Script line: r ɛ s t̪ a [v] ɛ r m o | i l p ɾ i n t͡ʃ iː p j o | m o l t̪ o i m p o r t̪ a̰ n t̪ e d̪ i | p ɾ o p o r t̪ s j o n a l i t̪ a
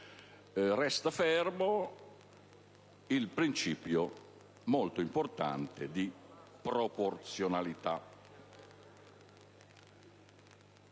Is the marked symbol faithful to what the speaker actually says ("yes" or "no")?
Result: no